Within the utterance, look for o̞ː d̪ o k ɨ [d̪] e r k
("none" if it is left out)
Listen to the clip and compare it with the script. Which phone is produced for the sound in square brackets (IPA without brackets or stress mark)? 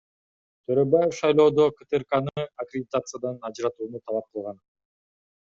t̪